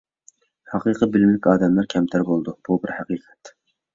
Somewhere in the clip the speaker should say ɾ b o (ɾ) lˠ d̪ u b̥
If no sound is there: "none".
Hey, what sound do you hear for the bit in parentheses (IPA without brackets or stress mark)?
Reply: none